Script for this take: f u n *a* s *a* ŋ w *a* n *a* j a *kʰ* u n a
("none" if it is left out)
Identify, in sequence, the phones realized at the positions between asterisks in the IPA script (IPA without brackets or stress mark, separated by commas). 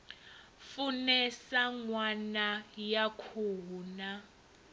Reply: ɛ, a, a, a, kʰ